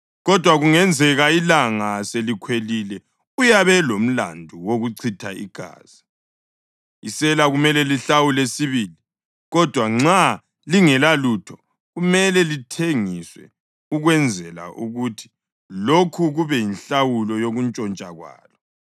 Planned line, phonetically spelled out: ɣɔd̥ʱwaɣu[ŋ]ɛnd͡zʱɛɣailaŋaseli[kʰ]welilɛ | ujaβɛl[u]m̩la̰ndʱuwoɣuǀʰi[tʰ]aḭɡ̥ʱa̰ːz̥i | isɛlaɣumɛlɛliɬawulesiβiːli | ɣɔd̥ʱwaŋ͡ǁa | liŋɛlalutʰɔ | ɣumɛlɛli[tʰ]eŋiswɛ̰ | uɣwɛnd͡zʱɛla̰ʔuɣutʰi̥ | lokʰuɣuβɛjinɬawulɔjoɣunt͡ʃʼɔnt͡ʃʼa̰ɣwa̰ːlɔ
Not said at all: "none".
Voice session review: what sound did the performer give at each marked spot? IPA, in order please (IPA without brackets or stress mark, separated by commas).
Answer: ŋ, kʰ, o, tʰ, tʰ